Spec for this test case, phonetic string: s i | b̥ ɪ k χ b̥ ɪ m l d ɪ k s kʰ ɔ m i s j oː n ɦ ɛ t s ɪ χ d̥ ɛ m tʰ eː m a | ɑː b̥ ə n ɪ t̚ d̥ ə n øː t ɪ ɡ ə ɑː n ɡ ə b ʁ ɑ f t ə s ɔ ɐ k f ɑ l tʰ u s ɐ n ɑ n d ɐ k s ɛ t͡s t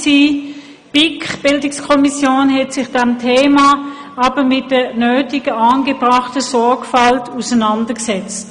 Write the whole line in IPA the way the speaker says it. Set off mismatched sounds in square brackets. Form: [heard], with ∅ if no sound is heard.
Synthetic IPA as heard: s i | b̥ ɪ k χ b̥ ɪ [∅] l d ɪ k s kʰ ɔ m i s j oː n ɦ ɛ t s ɪ χ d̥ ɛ m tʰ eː m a | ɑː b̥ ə [m] ɪ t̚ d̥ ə n øː t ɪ ɡ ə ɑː n ɡ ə b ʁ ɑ [χ] t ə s ɔ ɐ k f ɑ l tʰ u s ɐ n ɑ n d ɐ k s ɛ t͡s t